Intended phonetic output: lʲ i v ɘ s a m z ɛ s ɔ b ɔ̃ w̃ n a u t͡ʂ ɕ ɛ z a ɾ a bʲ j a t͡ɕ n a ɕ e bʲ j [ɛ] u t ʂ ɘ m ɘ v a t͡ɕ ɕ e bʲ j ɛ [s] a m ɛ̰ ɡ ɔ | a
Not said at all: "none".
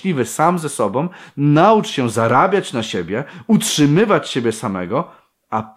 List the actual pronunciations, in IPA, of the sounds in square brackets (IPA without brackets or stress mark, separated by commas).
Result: ɛ, s